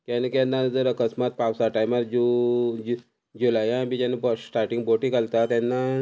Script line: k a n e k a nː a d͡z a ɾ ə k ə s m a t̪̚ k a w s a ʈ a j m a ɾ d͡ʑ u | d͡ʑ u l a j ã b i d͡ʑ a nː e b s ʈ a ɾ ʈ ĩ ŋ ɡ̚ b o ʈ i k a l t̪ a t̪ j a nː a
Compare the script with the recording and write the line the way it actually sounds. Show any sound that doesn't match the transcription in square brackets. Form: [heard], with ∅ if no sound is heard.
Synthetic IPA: k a n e k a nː a d͡z [ə] ɾ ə k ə s m a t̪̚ [p] a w s a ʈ a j m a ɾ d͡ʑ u | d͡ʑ u l a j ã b i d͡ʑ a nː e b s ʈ a ɾ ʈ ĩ ŋ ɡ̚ b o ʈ i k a l t̪ a t̪ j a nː a